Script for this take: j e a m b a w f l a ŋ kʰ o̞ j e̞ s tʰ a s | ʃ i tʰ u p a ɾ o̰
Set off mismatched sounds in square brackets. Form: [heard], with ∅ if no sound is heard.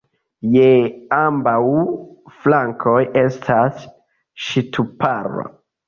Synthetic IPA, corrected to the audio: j e a m b a w f l a ŋ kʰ o̞ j e̞ s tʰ a s | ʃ i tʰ u p a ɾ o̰